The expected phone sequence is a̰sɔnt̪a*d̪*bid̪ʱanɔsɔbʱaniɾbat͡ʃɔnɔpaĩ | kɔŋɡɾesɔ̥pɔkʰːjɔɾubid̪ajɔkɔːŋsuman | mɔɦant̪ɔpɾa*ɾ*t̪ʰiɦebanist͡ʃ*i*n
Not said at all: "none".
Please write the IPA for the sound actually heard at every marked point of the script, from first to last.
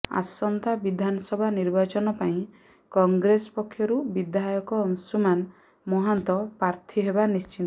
none, ɾ, i

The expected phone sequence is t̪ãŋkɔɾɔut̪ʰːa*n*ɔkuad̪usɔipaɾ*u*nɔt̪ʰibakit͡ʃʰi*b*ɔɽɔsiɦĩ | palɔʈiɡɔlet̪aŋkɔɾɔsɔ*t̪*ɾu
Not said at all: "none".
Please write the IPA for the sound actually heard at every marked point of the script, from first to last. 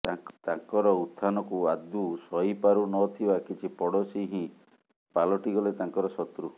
n, u, p, t̪

